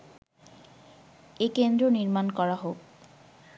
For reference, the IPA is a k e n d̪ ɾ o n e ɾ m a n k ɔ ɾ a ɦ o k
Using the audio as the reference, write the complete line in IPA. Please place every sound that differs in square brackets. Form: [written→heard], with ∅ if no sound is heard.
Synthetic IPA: [a→e] k e n d̪ ɾ o n [e→i] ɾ m a n k ɔ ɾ a ɦ o k